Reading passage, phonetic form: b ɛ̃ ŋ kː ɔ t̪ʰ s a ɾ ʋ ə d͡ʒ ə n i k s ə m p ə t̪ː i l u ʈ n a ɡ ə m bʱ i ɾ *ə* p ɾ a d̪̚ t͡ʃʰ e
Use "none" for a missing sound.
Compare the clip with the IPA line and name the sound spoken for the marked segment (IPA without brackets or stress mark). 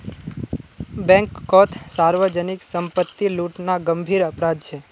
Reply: ə